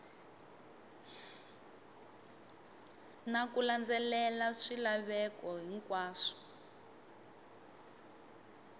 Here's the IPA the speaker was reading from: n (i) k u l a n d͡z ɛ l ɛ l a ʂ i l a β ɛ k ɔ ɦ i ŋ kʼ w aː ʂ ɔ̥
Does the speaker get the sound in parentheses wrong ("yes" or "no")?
yes